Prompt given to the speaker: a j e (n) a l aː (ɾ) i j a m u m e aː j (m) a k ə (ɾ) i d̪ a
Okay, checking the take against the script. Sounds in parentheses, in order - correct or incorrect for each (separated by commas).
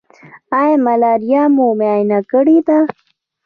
incorrect, correct, incorrect, incorrect